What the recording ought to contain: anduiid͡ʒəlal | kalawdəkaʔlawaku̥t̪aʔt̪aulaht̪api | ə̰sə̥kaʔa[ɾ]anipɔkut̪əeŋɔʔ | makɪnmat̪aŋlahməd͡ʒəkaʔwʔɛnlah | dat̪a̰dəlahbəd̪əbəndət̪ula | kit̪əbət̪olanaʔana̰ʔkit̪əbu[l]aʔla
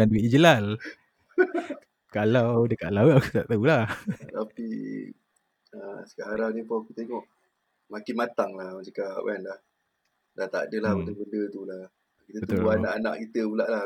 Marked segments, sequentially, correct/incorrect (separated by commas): correct, correct